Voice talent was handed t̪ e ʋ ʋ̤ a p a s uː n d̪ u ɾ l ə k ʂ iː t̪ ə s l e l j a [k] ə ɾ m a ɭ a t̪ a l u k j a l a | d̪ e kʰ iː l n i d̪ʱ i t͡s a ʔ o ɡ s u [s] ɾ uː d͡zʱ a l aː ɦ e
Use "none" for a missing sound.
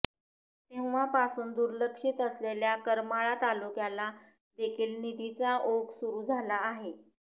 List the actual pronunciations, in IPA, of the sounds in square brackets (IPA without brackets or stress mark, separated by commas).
k, none